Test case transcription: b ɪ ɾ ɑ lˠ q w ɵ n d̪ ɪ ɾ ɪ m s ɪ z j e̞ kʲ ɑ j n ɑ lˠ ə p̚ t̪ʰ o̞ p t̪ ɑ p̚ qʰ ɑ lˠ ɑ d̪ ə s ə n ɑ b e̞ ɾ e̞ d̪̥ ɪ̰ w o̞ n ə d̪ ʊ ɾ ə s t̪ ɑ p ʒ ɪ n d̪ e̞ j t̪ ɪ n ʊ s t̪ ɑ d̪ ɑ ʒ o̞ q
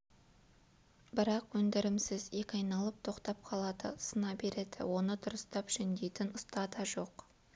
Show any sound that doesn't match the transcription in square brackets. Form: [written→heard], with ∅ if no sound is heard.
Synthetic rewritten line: b ɪ ɾ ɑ [lˠ→∅] q w ɵ n d̪ ɪ ɾ ɪ m s ɪ z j e̞ kʲ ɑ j n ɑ lˠ ə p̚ t̪ʰ o̞ [p→q] t̪ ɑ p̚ qʰ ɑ lˠ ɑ d̪ ə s ə n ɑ b e̞ ɾ e̞ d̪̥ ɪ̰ w o̞ n ə d̪ ʊ ɾ ə s t̪ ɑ p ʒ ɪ n d̪ e̞ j t̪ ɪ n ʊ s t̪ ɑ d̪ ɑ ʒ o̞ q